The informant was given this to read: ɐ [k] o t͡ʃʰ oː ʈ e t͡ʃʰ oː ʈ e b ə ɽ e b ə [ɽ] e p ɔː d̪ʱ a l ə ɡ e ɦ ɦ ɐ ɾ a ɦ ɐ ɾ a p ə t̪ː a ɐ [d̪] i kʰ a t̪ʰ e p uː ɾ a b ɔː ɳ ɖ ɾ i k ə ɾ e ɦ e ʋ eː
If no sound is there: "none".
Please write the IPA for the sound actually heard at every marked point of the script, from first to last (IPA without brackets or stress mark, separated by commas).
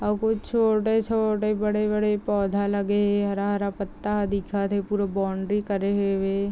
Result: k, ɽ, d̪